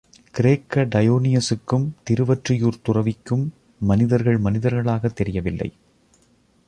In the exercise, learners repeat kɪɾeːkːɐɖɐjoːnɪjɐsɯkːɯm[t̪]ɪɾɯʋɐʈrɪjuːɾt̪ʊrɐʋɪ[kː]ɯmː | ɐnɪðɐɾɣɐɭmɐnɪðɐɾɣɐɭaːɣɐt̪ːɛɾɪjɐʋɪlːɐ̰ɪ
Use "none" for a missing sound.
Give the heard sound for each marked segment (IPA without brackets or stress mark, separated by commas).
t̪, kː